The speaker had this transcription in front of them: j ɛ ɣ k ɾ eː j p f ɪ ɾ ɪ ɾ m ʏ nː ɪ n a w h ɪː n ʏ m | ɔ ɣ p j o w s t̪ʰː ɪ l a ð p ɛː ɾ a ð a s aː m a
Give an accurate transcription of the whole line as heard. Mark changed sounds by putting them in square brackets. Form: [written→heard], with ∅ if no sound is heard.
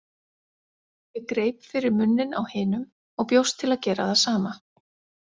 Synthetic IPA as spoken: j ɛ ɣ k ɾ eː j p f ɪ ɾ ɪ ɾ m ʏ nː ɪ n a w h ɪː n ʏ m | ɔ ɣ p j o w s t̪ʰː ɪ l a ð [p→c] ɛː ɾ a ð a s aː m a

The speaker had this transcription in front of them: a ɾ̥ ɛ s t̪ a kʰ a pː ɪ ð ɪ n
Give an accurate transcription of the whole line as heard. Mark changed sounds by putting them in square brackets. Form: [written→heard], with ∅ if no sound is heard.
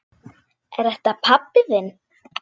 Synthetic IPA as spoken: [a→ɛ] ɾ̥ ɛ [s→h] t̪ a [kʰ→pʰ] a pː ɪ ð ɪ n

